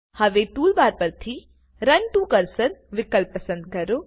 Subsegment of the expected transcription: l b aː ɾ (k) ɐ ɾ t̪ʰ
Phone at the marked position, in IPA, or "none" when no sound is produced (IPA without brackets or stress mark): p